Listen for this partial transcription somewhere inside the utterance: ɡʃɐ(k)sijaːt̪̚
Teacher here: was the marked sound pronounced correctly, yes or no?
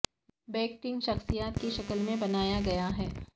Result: no